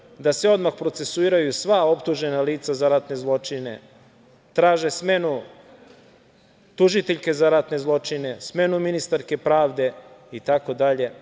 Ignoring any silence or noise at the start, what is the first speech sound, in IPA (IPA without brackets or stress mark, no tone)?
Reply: d̪